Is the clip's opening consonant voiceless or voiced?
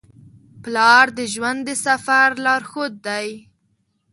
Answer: voiceless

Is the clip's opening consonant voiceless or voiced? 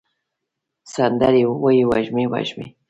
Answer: voiceless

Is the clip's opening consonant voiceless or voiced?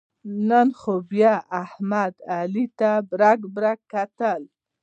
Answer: voiced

